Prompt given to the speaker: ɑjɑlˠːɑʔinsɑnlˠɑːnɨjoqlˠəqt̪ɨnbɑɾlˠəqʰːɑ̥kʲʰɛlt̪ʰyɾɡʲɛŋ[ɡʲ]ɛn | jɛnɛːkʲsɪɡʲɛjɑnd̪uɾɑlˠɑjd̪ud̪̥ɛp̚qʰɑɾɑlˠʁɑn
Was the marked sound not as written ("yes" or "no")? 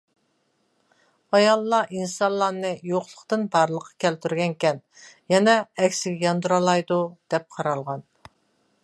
yes